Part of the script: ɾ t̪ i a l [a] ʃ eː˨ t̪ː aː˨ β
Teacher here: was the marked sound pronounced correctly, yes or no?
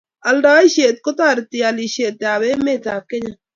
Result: no